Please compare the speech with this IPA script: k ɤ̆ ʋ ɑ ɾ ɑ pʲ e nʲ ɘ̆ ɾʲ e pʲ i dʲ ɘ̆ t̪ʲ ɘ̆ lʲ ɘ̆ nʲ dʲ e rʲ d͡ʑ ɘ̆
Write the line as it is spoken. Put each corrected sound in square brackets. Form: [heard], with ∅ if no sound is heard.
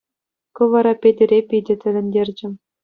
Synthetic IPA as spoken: k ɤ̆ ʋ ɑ ɾ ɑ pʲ e [dʲ] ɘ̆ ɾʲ e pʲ i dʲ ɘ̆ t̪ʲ ɘ̆ lʲ ɘ̆ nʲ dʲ e rʲ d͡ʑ ɘ̆